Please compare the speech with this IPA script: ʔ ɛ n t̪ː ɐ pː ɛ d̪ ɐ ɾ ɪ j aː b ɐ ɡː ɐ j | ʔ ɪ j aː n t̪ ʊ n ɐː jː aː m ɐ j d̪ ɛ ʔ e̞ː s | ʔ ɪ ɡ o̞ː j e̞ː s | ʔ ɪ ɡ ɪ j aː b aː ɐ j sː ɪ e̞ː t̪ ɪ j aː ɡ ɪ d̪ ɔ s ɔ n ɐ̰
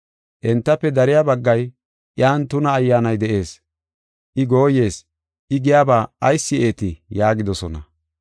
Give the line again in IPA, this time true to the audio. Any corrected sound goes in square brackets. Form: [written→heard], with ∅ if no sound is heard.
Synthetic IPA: ʔ ɛ n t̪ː ɐ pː ɛ d̪ ɐ ɾ ɪ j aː b ɐ ɡː ɐ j | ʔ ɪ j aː n t̪ ʊ n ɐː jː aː [m→n] ɐ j d̪ ɛ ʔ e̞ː s | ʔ ɪ ɡ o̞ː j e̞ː s | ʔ ɪ ɡ ɪ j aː b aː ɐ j sː ɪ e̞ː t̪ ɪ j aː ɡ ɪ d̪ ɔ s ɔ n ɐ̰

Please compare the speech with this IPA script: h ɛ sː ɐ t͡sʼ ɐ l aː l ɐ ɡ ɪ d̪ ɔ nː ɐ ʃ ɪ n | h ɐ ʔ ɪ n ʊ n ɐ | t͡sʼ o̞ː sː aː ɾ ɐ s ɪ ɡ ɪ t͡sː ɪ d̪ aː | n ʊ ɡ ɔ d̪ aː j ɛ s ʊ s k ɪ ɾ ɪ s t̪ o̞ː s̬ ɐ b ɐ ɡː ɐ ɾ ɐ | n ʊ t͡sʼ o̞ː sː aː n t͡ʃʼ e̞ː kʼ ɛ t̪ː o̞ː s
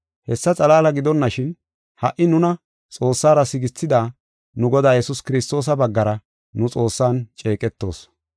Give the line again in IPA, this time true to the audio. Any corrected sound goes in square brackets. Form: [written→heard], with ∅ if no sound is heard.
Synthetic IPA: h ɛ sː ɐ t͡sʼ ɐ l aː l ɐ ɡ ɪ d̪ ɔ nː ɐ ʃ ɪ n | h ɐ ʔ ɪ n ʊ n ɐ | t͡sʼ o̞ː sː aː ɾ ɐ s ɪ ɡ ɪ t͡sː ɪ d̪ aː | n ʊ ɡ ɔ d̪ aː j ɛ s ʊ s k ɪ ɾ ɪ s t̪ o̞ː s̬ ɐ b ɐ ɡː ɐ ɾ ɐ | n ʊ t͡sʼ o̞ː sː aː n t͡ʃʼ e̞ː kʼ ɛ t̪ː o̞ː s

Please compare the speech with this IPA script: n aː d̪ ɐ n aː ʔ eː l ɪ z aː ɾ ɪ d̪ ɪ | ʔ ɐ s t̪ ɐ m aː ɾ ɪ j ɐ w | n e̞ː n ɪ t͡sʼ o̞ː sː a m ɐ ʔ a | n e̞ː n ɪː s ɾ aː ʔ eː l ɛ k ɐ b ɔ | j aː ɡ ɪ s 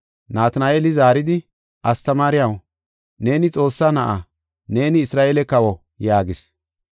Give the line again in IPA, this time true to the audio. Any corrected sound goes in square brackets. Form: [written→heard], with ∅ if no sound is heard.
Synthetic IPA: n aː [d̪→t̪] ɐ n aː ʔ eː l ɪ z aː ɾ ɪ d̪ ɪ | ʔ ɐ s t̪ ɐ m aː ɾ ɪ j ɐ w | n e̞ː n ɪ t͡sʼ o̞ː sː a [m→n] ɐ ʔ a | n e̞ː n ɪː s ɾ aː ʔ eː l ɛ k ɐ [b→w] ɔ | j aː ɡ ɪ s

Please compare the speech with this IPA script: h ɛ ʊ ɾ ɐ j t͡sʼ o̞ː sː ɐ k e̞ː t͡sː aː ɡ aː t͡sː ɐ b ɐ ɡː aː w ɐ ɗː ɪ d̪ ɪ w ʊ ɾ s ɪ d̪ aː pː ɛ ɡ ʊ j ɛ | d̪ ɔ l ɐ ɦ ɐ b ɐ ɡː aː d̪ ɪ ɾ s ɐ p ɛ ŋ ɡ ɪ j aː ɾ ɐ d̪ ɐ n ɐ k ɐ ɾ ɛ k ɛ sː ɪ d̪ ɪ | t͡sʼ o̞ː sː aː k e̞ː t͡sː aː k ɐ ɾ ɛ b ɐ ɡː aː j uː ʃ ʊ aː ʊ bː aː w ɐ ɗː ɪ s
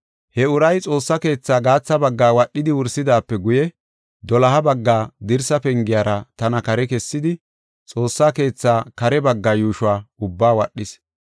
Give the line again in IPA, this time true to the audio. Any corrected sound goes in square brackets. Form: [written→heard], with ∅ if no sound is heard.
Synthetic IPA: h ɛ ʊ ɾ ɐ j t͡sʼ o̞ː sː ɐ k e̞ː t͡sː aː ɡ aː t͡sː ɐ b ɐ ɡː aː w ɐ ɗː ɪ d̪ ɪ w ʊ ɾ s ɪ d̪ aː pː ɛ ɡ ʊ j ɛ | d̪ ɔ l ɐ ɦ ɐ b ɐ ɡː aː d̪ ɪ ɾ s ɐ p ɛ ŋ ɡ ɪ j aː ɾ ɐ [d̪→t̪] ɐ n ɐ k ɐ ɾ ɛ k ɛ sː ɪ d̪ ɪ | t͡sʼ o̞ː sː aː k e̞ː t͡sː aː k ɐ ɾ ɛ b ɐ ɡː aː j uː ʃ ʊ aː ʊ bː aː w ɐ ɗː ɪ s

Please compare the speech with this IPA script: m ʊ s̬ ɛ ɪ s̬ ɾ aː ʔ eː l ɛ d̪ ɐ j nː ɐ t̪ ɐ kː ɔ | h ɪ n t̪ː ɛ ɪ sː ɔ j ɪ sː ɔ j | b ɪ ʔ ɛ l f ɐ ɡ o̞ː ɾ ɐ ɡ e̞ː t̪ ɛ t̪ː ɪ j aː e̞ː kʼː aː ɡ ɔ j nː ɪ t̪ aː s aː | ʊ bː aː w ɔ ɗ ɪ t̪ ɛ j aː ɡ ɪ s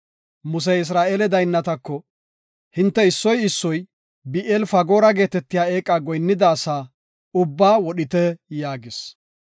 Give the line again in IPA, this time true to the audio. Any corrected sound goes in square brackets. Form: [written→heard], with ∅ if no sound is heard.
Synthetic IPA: m ʊ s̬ ɛ ɪ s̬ ɾ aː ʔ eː l ɛ d̪ ɐ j nː ɐ t̪ ɐ kː ɔ | h ɪ n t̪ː ɛ ɪ sː ɔ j ɪ sː ɔ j | b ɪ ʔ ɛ l f ɐ ɡ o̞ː ɾ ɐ ɡ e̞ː t̪ ɛ t̪ː ɪ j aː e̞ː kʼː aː ɡ ɔ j nː ɪ [t̪→d̪] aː s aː | ʊ bː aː w ɔ ɗ ɪ t̪ ɛ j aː ɡ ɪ s

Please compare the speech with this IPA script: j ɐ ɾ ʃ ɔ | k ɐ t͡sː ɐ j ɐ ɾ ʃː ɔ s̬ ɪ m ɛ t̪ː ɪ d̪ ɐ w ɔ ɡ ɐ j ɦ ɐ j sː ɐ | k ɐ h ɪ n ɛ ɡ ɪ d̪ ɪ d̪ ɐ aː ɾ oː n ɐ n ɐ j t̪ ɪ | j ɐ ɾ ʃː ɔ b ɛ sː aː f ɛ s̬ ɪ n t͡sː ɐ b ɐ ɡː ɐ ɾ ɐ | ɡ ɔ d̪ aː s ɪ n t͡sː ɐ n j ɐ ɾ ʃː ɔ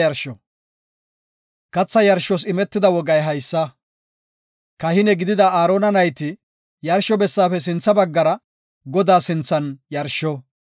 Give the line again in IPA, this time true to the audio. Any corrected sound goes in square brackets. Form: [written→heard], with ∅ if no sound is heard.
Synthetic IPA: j ɐ ɾ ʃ ɔ | k ɐ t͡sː ɐ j ɐ ɾ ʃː ɔ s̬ ɪ m ɛ t̪ː ɪ d̪ ɐ w ɔ ɡ ɐ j ɦ ɐ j sː ɐ | k ɐ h ɪ n ɛ ɡ ɪ d̪ ɪ d̪ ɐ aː ɾ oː n ɐ n ɐ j t̪ ɪ | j ɐ ɾ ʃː ɔ b ɛ sː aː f ɛ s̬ ɪ n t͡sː ɐ b ɐ ɡː ɐ ɾ ɐ | ɡ ɔ d̪ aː s ɪ n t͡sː ɐ n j ɐ ɾ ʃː ɔ

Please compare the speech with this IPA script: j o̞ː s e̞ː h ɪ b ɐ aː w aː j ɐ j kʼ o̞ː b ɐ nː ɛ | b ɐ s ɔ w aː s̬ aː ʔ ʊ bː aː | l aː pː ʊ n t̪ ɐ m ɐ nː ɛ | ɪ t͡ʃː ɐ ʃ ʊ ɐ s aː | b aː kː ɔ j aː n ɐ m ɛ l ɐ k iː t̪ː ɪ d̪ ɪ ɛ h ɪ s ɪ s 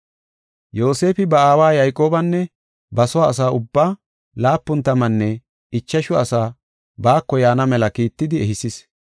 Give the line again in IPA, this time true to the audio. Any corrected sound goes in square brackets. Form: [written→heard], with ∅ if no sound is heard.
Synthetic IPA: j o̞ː s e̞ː [h→f] ɪ b ɐ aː w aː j ɐ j kʼ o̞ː b ɐ nː ɛ | b ɐ s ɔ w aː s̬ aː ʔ ʊ bː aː | l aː pː ʊ n t̪ ɐ m ɐ nː ɛ | ɪ t͡ʃː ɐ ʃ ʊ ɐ s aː | b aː kː ɔ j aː n ɐ m ɛ l ɐ k iː t̪ː ɪ d̪ ɪ ɛ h ɪ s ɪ s

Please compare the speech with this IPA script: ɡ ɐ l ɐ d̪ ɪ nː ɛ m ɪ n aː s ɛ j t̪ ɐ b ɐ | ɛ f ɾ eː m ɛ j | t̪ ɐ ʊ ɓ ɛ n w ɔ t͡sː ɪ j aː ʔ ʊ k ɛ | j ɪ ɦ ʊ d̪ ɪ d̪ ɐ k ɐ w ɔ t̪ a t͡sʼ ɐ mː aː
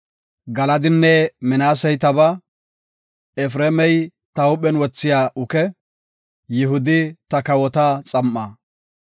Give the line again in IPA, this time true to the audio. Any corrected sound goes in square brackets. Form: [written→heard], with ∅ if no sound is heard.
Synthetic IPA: ɡ ɐ l ɐ d̪ ɪ nː ɛ m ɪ n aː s ɛ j t̪ ɐ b ɐ | ɛ f ɾ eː m ɛ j | t̪ ɐ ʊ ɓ ɛ n w ɔ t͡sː ɪ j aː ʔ ʊ k ɛ | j ɪ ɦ ʊ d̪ ɪ [d̪→t̪] ɐ k ɐ w ɔ t̪ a t͡sʼ ɐ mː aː

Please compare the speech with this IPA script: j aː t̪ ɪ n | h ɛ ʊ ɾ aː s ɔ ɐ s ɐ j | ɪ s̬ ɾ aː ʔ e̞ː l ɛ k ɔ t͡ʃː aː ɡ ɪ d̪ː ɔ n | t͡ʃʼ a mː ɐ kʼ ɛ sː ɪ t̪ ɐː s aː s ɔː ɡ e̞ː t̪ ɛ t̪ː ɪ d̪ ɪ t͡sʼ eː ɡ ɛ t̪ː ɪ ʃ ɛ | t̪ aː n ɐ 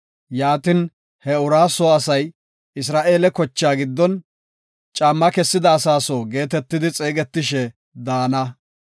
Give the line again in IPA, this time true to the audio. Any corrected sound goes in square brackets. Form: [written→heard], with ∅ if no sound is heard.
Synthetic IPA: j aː t̪ ɪ n | h ɛ ʊ ɾ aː s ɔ ɐ s ɐ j | ɪ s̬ ɾ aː ʔ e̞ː l ɛ k ɔ t͡ʃː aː ɡ ɪ d̪ː ɔ n | t͡ʃʼ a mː ɐ [kʼ→k] ɛ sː ɪ [t̪→d̪] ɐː s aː s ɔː ɡ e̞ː t̪ ɛ t̪ː ɪ d̪ ɪ t͡sʼ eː ɡ ɛ t̪ː ɪ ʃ ɛ | [t̪→d̪] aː n ɐ

